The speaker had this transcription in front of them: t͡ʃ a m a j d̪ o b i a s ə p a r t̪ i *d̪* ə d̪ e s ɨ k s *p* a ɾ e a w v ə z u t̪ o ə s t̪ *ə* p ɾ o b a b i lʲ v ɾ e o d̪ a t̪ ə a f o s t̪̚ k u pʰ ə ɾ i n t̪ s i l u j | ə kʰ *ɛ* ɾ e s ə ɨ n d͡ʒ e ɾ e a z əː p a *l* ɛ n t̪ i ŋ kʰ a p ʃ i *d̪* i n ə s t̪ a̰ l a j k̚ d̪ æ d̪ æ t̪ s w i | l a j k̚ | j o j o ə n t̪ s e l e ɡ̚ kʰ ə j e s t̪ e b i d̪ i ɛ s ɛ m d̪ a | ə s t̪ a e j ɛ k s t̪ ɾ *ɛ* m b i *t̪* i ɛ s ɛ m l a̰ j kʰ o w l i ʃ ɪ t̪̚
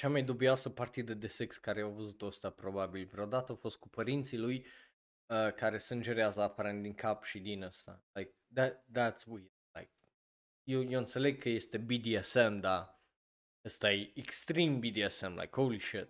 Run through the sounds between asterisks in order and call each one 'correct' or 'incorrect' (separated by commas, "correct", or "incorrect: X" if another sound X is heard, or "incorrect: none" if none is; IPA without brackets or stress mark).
correct, incorrect: k, incorrect: a, incorrect: a, incorrect: ɾ, correct, incorrect: i, incorrect: d̪